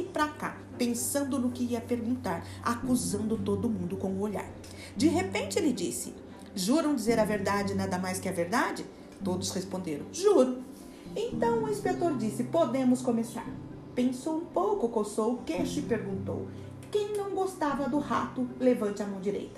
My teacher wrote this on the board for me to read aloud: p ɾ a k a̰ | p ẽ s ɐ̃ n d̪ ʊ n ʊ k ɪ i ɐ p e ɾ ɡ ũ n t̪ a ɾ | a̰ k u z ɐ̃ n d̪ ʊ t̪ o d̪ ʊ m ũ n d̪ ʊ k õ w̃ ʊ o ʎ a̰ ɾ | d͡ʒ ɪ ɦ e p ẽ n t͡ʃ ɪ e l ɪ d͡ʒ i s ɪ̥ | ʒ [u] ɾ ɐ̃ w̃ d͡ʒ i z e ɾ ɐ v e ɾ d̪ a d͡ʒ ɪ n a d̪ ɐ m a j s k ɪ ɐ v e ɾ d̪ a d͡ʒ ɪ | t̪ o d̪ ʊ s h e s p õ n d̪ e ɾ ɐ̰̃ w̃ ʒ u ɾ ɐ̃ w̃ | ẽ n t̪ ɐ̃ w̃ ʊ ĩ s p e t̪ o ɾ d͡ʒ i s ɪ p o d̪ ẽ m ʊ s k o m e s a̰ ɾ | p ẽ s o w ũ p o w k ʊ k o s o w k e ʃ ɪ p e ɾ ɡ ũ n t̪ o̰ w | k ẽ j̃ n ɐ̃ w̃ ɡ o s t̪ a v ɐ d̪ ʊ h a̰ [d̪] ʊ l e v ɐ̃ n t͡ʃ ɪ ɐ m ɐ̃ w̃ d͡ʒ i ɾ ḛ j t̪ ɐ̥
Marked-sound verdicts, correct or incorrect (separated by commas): correct, incorrect